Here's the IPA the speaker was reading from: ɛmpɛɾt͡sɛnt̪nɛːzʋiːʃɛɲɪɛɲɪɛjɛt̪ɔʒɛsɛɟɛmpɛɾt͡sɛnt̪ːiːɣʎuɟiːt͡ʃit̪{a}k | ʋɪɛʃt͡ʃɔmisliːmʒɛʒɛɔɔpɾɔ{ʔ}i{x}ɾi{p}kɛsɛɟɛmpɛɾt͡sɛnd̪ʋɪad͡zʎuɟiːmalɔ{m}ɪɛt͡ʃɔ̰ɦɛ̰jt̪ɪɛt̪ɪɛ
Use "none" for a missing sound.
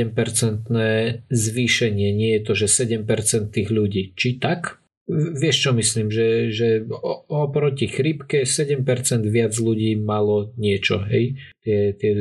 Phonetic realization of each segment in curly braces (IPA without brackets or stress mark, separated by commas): a, c, x, p, ɲ